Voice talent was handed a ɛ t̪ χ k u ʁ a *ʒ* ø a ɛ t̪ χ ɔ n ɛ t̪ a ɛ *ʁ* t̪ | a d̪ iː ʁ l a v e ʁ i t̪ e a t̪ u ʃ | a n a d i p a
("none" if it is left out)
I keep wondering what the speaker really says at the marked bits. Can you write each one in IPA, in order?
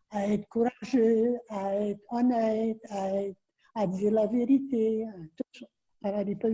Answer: ʒ, none

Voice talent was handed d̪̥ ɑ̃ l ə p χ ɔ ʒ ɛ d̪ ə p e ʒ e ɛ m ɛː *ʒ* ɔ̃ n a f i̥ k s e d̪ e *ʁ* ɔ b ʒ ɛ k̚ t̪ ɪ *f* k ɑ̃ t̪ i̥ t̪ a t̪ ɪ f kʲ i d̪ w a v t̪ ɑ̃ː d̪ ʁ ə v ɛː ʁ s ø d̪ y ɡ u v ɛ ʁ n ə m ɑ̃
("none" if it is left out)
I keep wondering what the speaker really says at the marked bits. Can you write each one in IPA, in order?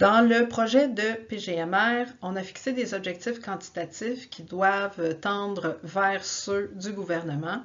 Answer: ʁ, z, f

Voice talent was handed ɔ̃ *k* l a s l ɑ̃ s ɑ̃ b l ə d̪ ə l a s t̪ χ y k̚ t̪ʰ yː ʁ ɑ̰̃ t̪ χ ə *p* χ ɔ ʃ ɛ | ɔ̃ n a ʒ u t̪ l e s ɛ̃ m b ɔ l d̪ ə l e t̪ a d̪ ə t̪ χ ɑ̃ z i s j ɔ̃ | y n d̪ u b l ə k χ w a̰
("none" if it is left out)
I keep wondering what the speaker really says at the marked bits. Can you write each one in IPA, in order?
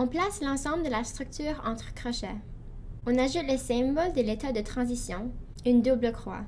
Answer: p, k

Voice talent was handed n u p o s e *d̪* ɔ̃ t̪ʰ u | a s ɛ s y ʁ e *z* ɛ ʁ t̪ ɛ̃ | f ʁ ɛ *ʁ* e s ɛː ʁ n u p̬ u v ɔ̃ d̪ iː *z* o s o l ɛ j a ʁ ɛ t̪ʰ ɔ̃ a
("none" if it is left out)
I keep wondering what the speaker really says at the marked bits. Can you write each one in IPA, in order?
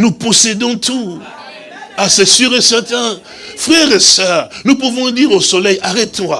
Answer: d̪, s, ʁ, ʁ

